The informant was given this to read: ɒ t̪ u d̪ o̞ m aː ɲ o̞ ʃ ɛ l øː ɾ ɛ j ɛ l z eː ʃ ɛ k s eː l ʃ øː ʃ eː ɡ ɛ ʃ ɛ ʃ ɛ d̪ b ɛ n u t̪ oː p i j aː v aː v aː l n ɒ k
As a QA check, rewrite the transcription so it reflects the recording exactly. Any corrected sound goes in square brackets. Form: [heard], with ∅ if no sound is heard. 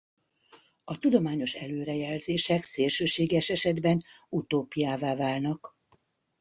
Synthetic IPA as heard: ɒ t̪ u d̪ o̞ m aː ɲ o̞ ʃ ɛ l øː ɾ ɛ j ɛ l z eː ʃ ɛ k s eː l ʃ øː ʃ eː ɡ ɛ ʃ ɛ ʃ ɛ d̪ b ɛ n u t̪ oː p i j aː v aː v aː l n ɒ k